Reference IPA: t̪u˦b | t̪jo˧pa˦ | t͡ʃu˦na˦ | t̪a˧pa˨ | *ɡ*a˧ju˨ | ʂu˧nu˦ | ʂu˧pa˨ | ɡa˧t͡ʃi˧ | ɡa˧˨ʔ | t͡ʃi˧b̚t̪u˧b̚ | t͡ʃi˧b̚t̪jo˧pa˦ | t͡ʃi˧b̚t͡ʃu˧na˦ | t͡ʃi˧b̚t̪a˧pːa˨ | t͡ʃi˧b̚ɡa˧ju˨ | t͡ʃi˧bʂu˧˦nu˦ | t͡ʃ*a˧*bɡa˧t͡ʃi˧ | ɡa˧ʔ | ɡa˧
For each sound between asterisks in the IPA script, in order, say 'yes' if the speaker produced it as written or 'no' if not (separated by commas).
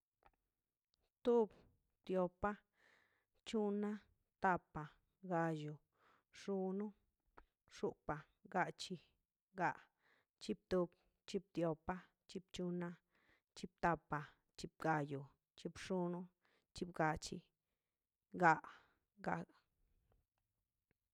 yes, no